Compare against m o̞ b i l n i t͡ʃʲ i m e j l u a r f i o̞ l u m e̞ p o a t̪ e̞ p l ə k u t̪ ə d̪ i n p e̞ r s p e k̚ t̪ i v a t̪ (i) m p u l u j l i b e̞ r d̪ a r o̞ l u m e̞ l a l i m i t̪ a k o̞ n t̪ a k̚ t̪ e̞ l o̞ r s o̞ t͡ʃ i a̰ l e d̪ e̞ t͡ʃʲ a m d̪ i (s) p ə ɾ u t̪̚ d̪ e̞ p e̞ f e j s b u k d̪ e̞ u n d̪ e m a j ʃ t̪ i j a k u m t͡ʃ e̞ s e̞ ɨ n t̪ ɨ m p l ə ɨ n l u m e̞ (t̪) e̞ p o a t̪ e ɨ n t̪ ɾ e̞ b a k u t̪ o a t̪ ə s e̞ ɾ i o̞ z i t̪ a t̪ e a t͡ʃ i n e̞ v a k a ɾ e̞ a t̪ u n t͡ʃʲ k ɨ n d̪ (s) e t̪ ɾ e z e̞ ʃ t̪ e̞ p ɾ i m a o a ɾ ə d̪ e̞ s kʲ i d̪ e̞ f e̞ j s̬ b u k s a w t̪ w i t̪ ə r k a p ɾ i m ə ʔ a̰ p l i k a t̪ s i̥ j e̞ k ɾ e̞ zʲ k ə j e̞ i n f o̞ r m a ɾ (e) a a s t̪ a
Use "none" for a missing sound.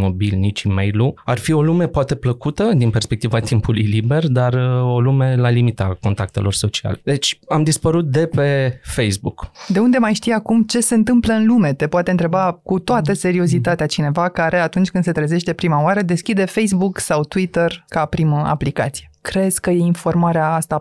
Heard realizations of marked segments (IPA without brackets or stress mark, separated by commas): i, s, t̪, s, e